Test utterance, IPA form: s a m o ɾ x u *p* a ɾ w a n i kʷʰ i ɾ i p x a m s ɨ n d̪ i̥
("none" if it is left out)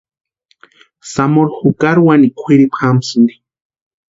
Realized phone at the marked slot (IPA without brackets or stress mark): k